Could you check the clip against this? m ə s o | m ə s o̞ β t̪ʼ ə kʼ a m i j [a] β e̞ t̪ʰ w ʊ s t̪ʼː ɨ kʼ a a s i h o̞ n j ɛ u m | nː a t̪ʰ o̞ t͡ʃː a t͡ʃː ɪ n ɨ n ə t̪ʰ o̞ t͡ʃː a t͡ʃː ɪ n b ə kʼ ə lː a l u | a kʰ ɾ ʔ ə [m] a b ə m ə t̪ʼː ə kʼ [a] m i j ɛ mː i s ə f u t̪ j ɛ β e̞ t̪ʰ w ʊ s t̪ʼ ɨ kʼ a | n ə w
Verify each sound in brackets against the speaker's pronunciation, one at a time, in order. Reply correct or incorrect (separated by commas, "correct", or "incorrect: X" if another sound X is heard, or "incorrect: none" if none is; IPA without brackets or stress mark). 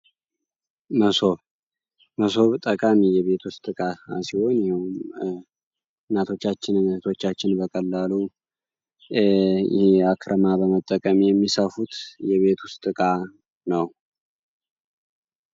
incorrect: ɛ, correct, incorrect: ə